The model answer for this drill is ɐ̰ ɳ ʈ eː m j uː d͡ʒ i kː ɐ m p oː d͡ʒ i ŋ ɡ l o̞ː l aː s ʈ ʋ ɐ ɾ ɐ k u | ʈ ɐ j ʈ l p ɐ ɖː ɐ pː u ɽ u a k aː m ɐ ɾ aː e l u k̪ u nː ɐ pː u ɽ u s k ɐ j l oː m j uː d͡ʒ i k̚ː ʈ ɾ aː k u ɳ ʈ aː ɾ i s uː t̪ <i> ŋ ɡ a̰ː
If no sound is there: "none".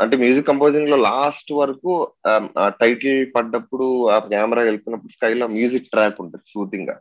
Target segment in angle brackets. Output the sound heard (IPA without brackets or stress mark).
i